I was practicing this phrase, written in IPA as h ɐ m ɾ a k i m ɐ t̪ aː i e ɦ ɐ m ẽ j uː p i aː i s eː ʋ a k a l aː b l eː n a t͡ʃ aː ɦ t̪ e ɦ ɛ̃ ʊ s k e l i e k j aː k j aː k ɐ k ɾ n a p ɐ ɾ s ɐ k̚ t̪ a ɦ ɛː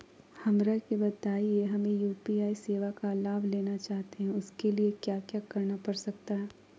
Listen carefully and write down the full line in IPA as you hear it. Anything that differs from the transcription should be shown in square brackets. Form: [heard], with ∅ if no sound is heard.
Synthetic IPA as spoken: h ɐ m ɾ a k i [b] ɐ t̪ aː i e ɦ ɐ m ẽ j uː p i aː i s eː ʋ a k a l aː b l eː n a t͡ʃ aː ɦ t̪ e ɦ ɛ̃ ʊ s k e l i e k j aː k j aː k ɐ [∅] ɾ n a p ɐ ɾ s ɐ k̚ t̪ a ɦ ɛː